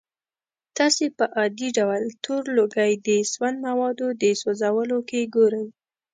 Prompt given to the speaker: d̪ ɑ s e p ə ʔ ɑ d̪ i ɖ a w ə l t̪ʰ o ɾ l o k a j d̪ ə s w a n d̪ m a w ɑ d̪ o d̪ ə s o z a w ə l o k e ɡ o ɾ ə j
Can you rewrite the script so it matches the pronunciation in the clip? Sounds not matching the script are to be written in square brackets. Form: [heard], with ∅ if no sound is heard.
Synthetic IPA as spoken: [t̪] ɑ s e p ə ʔ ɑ d̪ i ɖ a w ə l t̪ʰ o ɾ l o [ɡ] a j d̪ ə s w a n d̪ m a w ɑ d̪ o d̪ ə s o z a w ə l o k e ɡ o ɾ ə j